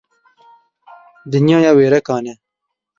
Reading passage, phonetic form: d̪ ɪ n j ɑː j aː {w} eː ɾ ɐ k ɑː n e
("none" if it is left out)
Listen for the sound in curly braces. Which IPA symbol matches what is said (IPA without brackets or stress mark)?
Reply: w